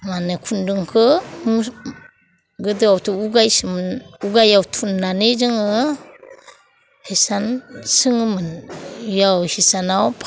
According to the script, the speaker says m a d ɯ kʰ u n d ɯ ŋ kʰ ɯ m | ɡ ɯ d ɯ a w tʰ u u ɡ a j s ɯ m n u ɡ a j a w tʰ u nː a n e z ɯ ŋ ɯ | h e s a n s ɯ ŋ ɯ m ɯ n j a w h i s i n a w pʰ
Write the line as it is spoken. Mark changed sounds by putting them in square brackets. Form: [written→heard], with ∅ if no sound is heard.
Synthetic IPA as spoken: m a [d→n] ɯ kʰ u n d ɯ ŋ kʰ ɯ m | ɡ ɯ d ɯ a w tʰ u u ɡ a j s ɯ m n u ɡ a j a w tʰ u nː a n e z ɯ ŋ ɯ | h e s a n s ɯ ŋ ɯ m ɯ n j a w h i s [i→a] n a w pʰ